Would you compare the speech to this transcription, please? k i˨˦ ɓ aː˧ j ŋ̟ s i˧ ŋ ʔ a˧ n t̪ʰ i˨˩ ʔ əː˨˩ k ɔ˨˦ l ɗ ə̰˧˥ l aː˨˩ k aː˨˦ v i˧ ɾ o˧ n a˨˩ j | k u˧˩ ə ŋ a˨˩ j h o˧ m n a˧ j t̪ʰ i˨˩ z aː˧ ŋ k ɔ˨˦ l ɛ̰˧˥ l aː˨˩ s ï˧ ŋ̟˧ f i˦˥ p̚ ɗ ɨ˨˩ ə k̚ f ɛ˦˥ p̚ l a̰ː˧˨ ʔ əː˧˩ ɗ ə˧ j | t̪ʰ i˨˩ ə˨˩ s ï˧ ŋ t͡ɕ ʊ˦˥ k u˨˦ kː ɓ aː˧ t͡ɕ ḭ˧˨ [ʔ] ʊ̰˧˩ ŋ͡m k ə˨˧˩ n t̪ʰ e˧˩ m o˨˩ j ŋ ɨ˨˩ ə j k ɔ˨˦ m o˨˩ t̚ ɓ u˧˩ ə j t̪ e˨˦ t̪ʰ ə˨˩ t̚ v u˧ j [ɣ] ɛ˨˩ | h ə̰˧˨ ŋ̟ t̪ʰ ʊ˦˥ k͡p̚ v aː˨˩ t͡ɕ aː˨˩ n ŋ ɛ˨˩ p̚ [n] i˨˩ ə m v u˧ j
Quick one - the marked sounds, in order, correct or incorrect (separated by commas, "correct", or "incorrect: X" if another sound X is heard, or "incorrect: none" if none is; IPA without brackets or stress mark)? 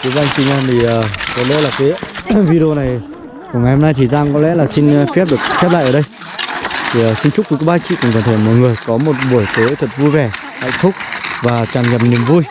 incorrect: k, incorrect: v, correct